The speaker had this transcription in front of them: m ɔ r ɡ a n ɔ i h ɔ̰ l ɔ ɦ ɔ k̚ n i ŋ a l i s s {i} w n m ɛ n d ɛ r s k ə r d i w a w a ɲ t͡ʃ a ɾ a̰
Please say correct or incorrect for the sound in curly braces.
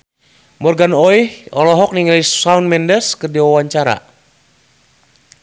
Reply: incorrect